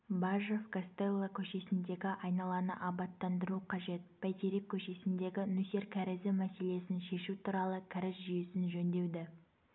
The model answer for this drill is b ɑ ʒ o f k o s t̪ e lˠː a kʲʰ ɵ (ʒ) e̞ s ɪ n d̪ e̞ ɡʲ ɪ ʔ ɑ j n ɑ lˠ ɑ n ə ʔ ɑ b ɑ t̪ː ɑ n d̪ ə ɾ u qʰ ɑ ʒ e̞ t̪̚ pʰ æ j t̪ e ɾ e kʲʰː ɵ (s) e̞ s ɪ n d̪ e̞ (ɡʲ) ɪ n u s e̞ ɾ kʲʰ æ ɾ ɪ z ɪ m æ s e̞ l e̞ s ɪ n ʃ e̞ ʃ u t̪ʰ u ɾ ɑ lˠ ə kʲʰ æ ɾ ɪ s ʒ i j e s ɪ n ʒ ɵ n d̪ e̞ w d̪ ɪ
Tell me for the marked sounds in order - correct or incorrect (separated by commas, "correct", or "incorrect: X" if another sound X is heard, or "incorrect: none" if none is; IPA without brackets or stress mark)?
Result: incorrect: ʃ, incorrect: ʃ, correct